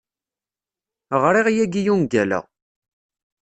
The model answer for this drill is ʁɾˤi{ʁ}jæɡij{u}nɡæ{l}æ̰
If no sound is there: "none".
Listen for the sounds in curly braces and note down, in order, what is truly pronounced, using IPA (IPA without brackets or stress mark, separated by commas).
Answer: ʁ, u, l